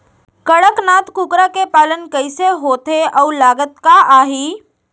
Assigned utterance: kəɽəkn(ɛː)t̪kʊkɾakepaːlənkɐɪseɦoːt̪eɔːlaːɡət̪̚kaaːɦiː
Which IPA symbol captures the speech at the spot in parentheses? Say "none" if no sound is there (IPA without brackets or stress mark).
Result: aː